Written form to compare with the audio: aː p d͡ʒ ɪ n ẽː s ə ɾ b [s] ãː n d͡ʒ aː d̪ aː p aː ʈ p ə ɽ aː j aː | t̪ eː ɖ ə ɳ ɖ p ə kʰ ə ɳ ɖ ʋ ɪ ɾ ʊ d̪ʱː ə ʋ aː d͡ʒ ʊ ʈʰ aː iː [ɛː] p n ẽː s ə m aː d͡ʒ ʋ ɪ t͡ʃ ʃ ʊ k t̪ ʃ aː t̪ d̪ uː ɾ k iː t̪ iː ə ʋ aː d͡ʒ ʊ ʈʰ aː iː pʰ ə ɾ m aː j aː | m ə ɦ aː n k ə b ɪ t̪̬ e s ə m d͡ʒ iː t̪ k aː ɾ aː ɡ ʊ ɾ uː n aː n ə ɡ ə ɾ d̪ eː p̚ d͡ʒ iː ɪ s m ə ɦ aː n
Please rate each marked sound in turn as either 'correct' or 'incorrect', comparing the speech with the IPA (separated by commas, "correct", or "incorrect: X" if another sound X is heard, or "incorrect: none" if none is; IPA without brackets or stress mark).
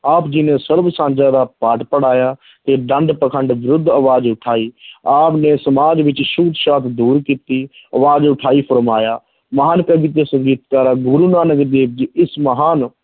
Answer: correct, incorrect: aː